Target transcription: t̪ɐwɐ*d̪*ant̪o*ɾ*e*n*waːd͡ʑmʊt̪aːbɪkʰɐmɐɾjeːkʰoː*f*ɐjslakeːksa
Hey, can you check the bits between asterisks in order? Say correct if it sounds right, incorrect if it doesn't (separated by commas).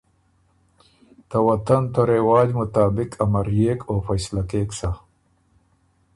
incorrect, correct, incorrect, correct